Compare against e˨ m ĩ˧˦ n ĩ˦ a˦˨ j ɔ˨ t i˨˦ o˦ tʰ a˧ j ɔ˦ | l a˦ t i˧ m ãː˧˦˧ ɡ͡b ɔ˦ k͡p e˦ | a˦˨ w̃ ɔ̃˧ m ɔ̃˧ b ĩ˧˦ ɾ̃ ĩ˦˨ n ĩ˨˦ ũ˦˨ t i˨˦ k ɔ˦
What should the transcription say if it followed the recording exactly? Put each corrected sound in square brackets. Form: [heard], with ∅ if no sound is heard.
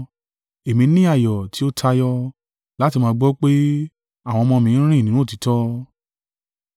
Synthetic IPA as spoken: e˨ m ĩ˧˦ n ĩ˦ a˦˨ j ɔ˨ t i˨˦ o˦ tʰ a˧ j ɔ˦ | l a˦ t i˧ m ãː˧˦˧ ɡ͡b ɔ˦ k͡p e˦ | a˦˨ w̃ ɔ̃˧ m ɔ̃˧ [m] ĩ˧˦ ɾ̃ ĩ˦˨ n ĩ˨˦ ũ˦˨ t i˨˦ [t] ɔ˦